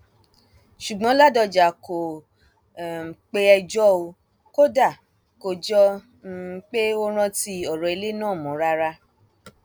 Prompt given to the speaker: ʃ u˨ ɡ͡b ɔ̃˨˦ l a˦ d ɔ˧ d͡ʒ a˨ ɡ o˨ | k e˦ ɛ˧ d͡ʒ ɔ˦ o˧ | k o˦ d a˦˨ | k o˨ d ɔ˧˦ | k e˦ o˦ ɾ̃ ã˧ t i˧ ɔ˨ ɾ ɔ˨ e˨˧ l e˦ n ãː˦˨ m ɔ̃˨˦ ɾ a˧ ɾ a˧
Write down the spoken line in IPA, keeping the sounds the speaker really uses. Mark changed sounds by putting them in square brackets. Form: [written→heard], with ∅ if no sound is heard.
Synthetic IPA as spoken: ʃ u˨ ɡ͡b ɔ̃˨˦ l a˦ d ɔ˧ d͡ʒ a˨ [ɡ→k] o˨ | [k→k͡p] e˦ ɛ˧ d͡ʒ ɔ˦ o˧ | k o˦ d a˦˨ | k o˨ [d→d͡ʒ] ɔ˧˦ | [k→k͡p] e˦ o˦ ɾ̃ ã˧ t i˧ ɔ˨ ɾ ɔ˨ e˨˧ l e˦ n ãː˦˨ m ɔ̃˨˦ ɾ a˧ ɾ a˧

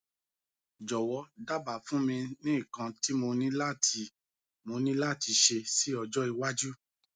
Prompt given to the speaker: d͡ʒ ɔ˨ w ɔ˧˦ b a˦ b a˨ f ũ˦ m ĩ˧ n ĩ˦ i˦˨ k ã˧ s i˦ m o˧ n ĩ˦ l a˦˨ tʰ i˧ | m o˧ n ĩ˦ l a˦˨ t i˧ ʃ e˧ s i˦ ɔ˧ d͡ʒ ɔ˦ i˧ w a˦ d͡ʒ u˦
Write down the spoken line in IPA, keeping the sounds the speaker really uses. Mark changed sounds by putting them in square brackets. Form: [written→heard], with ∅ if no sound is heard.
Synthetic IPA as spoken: d͡ʒ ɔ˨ w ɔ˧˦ [b→d] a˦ b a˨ f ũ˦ m ĩ˧ n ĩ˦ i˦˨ k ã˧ [s→t] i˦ m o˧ n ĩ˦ l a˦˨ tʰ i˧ | m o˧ n ĩ˦ l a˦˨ t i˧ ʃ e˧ s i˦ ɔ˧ d͡ʒ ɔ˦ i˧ w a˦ d͡ʒ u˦

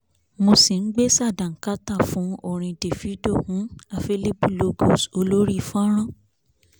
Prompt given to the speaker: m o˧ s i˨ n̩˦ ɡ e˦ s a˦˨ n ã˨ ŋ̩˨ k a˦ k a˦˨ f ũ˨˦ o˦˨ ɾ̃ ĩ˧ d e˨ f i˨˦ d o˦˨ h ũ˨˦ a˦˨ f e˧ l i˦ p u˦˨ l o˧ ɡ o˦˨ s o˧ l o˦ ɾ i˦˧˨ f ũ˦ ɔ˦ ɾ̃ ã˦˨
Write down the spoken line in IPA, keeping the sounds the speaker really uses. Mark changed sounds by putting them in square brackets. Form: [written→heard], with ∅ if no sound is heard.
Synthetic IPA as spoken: m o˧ s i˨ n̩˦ [ɡ→ɡ͡b] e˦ s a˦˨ [n→d] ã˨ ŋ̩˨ k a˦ [k→t] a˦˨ f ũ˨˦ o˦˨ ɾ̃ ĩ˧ d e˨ f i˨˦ d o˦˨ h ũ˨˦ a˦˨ f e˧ l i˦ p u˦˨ l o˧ ɡ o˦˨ s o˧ l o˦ ɾ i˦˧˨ f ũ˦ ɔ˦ ɾ̃ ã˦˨

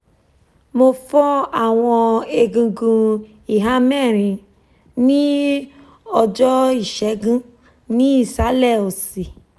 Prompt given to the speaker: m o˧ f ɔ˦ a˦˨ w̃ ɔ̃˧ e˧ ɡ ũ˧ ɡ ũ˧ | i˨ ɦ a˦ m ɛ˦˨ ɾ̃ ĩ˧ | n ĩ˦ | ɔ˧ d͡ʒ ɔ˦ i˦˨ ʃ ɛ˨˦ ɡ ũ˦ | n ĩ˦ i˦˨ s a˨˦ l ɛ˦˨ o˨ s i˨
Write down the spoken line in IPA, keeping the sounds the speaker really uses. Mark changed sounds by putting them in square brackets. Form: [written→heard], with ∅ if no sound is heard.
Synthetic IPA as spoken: m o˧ f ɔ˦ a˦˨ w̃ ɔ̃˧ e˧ ɡ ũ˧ ɡ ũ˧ | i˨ ɦ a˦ m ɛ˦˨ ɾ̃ ĩ˧ | n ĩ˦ | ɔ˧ d͡ʒ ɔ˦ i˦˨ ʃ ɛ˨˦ ɡ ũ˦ | n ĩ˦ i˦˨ s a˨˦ l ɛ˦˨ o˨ s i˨

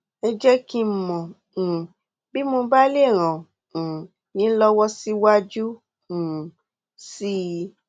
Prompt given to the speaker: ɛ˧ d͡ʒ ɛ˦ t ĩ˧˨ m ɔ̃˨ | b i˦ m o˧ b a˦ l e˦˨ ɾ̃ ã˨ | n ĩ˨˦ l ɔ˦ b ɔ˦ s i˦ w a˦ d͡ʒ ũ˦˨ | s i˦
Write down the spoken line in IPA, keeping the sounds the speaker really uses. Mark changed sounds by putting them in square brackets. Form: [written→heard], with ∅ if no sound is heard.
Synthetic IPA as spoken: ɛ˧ d͡ʒ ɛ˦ [t→k] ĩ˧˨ m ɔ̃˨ | b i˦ m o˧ b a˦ l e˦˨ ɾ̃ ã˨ | n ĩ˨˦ l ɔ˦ [b→w] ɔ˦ s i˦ w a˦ d͡ʒ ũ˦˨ | s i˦

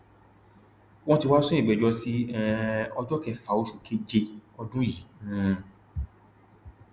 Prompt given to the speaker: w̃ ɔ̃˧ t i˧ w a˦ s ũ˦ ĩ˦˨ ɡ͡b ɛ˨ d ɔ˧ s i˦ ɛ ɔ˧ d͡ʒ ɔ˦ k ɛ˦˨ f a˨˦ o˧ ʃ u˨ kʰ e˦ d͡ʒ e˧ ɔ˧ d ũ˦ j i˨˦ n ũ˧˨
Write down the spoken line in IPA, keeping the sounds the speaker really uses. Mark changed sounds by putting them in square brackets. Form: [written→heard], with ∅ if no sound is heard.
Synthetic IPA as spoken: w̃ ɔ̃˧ t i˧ w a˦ s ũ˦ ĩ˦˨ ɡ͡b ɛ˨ [d→d͡ʒ] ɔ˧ s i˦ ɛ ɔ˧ d͡ʒ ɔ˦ k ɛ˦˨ f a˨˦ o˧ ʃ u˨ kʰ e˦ d͡ʒ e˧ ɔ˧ d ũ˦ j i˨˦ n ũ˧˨

